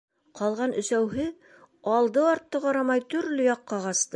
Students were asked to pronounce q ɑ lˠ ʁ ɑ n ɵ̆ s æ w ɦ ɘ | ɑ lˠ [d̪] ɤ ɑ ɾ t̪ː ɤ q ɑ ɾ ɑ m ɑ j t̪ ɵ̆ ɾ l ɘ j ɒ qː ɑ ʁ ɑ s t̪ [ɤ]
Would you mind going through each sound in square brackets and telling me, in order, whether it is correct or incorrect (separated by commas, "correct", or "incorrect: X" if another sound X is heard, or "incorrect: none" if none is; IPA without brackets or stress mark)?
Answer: correct, correct